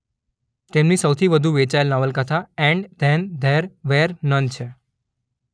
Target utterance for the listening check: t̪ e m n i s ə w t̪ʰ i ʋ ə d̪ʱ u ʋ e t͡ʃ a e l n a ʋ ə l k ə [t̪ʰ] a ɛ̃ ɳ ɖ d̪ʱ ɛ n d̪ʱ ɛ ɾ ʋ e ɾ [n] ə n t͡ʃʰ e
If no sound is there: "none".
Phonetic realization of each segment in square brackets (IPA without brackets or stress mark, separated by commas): t̪ʰ, n